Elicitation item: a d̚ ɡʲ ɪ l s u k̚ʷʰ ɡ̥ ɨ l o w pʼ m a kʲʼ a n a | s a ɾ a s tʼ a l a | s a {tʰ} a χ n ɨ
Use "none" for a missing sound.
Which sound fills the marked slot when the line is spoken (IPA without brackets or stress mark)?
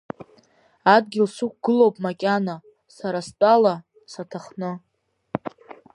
tʰ